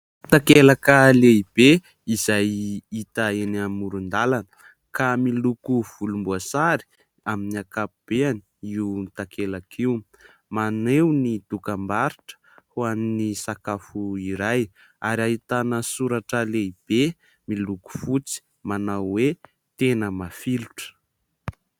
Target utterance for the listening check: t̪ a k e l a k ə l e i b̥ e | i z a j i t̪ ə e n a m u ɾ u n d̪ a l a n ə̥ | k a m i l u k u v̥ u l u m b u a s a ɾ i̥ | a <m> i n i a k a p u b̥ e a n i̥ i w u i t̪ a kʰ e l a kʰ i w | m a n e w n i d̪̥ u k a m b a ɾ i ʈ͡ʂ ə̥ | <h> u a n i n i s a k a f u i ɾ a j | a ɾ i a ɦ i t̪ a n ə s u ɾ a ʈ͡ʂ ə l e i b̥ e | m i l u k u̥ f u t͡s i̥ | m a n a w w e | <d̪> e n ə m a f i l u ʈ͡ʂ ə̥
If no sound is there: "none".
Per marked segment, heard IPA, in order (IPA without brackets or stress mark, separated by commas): m, h, t̪